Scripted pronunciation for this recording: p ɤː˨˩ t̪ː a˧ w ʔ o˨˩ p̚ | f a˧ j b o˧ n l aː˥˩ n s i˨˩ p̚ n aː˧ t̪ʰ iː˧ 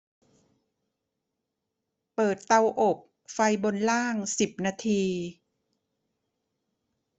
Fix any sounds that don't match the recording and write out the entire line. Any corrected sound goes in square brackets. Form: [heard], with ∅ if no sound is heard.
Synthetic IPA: p ɤː˨˩ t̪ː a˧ w ʔ o˨˩ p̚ | f a˧ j b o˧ n l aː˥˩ [ŋ] s i˨˩ p̚ n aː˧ t̪ʰ iː˧